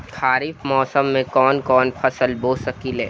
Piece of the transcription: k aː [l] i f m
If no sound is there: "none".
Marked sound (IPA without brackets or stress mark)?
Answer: ɾ